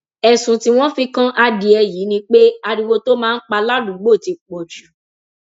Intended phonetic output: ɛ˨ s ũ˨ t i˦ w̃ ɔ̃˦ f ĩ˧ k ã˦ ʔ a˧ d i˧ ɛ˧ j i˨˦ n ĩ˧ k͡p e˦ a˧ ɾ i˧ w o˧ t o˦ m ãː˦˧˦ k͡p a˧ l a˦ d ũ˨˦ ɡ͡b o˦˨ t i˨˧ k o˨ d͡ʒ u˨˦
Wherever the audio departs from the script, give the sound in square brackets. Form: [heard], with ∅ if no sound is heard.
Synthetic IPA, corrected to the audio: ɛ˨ s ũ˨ t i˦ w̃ ɔ̃˦ f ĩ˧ k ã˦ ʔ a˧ d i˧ ɛ˧ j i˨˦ n ĩ˧ k͡p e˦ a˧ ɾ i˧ w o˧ t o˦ m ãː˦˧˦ k͡p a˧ l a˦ d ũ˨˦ ɡ͡b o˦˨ t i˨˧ [k͡p] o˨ d͡ʒ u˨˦